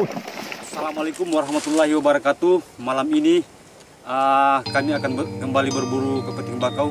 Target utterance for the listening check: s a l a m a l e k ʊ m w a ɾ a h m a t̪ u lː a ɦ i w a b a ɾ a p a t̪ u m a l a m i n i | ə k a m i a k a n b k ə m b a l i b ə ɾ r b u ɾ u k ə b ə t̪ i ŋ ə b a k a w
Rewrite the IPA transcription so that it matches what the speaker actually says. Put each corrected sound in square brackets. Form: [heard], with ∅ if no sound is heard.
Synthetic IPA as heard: s a l a m a l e k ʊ m w a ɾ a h m a t̪ u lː a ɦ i w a b a ɾ a [k] a t̪ u m a l a m i n i | ə k a m i a k a n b k ə m b a l i b ə [∅] r b u ɾ u k ə [p] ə t̪ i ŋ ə b a k a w